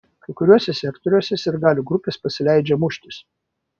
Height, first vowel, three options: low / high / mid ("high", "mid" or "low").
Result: low